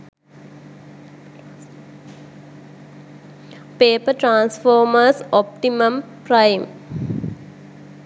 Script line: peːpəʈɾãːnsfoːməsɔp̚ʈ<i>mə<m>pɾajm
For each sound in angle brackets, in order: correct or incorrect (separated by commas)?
correct, correct